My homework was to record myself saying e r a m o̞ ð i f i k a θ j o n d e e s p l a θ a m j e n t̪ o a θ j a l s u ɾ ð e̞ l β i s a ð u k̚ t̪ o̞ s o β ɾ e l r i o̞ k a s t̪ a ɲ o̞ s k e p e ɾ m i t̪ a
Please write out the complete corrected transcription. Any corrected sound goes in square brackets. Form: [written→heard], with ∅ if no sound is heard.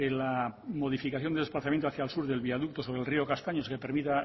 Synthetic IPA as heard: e [r→l] a m o̞ ð i f i k a θ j o n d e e s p l a θ a m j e n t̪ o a θ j a l s u ɾ ð e̞ l β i [s→∅] a ð u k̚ t̪ o̞ s o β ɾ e l r i o̞ k a s t̪ a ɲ o̞ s k e p e ɾ m i t̪ a